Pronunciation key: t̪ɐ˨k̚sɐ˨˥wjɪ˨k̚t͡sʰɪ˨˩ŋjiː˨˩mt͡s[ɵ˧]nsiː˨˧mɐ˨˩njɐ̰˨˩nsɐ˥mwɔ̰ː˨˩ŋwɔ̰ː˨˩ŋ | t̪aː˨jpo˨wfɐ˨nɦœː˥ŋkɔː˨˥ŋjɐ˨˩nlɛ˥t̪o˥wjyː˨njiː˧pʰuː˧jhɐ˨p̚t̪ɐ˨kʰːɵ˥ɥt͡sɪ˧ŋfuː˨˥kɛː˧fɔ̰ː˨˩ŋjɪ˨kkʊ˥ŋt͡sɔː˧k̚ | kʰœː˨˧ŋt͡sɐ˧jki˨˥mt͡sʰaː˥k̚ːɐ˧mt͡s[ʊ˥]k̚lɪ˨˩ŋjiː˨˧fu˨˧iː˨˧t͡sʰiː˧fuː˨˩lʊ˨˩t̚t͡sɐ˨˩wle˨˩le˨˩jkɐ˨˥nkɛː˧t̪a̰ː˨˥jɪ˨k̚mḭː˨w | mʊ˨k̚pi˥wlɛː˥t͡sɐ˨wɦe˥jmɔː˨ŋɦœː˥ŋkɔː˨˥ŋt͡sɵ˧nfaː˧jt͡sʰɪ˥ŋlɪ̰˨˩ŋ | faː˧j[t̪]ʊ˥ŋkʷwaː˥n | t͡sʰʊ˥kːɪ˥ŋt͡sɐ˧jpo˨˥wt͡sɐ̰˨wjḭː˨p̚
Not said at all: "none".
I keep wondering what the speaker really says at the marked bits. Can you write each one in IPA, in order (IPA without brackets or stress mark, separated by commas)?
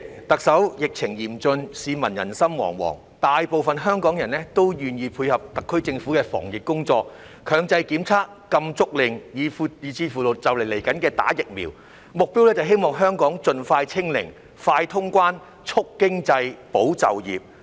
ɵ˧, ʊ˥, t̪ʰ